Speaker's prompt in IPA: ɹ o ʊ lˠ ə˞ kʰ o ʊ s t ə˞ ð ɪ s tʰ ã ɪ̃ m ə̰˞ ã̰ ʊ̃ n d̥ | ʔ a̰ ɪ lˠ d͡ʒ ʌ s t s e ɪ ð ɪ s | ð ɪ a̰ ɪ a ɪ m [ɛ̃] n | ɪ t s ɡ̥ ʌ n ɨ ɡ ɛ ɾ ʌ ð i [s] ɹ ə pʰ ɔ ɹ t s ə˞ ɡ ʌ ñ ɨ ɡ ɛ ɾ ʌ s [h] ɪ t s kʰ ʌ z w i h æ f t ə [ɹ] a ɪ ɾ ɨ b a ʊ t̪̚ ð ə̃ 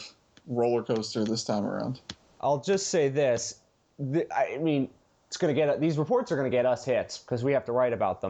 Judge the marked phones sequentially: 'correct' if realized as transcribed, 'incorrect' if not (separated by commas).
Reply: incorrect, incorrect, correct, correct